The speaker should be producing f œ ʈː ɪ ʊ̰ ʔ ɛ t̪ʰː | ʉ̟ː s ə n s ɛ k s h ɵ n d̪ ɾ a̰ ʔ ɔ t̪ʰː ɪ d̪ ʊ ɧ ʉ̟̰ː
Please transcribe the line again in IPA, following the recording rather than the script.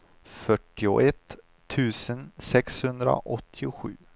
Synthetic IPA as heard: f œ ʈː ɪ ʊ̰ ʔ ɛ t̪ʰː | ʉ̟ː s ə n s ɛ k s h ɵ n d̪ ɾ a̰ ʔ ɔ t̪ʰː ɪ ʊ ɧ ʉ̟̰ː